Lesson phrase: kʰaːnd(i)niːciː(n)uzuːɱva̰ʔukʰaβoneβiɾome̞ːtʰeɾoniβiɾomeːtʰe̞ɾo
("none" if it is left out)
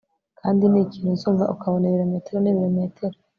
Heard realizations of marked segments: i, n

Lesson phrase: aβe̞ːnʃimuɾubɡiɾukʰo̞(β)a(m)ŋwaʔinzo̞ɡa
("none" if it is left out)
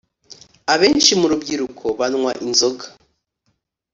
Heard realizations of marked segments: β, n

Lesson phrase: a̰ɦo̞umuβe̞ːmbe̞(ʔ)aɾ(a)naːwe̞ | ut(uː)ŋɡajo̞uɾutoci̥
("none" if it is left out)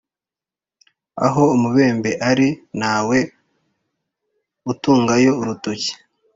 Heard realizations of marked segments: ʔ, i, uː

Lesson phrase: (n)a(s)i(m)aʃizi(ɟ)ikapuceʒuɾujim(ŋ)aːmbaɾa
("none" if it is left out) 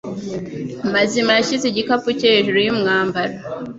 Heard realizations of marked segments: m, z, m, ɟ, ŋ

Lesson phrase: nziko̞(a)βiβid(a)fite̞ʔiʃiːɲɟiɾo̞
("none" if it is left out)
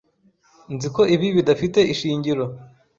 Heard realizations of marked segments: i, a

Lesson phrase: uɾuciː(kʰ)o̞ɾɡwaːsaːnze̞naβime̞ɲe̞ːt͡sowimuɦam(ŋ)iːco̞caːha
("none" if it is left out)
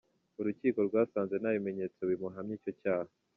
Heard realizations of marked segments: k, ɲ

